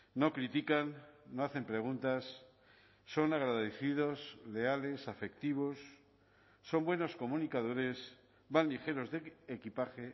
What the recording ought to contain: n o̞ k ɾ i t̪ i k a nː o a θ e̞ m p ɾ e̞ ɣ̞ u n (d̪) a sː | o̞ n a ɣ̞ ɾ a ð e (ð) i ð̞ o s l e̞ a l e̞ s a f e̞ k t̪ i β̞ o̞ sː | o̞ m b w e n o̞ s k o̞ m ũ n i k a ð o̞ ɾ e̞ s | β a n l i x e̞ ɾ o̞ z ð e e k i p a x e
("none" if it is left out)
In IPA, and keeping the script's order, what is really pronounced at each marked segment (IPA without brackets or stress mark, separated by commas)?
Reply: t̪, θ